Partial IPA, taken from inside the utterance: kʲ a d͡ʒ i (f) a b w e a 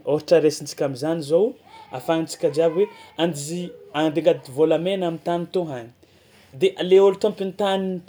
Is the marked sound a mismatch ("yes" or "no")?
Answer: yes